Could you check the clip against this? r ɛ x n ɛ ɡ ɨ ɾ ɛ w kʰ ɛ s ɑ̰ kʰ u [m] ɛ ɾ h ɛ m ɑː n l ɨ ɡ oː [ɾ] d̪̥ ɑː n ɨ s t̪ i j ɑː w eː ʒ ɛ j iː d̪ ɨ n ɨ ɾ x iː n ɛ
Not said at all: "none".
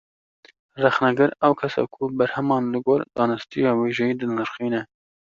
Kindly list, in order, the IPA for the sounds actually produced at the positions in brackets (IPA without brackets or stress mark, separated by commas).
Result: b, ɾ